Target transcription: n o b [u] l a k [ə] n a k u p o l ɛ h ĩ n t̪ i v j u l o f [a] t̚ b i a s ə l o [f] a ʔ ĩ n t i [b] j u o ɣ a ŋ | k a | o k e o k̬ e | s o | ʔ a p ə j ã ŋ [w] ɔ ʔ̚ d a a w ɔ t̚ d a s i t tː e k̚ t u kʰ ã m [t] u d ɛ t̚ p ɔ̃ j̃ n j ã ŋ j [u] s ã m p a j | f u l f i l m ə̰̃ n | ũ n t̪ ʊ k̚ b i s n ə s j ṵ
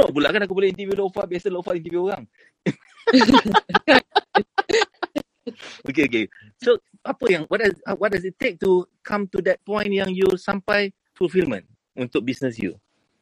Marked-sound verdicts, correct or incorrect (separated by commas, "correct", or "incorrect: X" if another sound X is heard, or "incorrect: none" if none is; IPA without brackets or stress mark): correct, incorrect: a, correct, correct, incorrect: v, correct, correct, correct